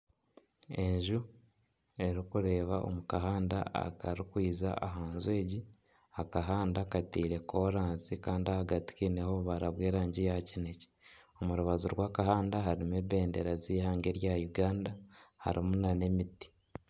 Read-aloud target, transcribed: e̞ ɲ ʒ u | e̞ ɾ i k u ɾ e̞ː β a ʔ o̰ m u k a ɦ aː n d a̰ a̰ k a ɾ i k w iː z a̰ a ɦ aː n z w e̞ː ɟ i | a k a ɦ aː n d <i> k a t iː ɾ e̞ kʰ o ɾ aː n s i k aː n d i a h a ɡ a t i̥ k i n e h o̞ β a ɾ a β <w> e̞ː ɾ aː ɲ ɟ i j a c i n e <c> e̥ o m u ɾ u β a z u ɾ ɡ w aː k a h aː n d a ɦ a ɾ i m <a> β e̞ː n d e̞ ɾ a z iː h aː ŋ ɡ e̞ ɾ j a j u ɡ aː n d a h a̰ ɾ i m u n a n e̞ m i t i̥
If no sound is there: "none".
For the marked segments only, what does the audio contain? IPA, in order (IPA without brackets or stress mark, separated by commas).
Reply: a, w, c, e